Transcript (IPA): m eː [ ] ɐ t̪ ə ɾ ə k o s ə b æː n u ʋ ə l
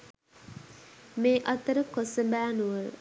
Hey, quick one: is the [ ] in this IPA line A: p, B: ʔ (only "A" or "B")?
B